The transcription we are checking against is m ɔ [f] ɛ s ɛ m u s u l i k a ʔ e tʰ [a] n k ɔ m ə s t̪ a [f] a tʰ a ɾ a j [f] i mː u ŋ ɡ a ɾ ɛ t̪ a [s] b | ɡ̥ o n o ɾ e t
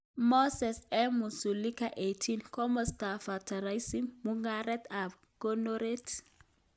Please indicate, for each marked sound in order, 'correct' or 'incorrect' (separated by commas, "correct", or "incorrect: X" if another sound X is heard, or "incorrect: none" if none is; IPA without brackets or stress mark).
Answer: incorrect: s, incorrect: i, correct, incorrect: s, incorrect: none